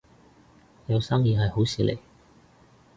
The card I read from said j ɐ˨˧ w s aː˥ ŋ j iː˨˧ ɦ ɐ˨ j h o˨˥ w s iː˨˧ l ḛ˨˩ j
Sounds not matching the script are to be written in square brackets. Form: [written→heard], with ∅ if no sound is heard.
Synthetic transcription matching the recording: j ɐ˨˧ w s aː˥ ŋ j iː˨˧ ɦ ɐ˨ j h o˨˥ w s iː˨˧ l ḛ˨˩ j